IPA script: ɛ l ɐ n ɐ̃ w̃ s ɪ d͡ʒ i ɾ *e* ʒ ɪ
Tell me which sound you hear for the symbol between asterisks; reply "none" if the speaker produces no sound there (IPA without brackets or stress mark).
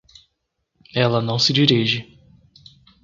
i